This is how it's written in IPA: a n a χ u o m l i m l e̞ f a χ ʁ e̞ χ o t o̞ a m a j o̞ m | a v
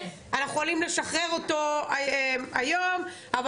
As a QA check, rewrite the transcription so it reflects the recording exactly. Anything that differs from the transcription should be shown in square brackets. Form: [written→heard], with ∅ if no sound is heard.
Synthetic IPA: a n a χ u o [m→∅] l i m l e̞ [f→ʃ] a χ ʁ e̞ [χ→ʁ] o t o̞ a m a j o̞ m | a v